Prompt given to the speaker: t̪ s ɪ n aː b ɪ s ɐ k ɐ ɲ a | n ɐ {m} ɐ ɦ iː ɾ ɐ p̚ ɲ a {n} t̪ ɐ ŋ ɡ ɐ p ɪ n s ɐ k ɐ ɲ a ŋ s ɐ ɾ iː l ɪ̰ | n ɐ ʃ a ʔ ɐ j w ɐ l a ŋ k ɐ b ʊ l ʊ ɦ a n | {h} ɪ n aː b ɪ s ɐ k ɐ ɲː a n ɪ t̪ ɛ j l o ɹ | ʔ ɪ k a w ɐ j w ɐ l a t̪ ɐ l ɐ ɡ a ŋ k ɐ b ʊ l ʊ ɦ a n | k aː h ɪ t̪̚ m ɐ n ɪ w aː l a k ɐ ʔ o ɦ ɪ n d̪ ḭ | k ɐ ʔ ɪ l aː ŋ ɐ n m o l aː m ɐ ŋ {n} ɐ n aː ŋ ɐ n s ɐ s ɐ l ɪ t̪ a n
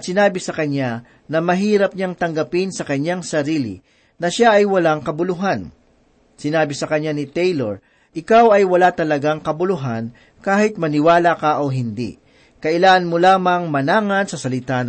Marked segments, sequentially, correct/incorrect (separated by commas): correct, incorrect, incorrect, incorrect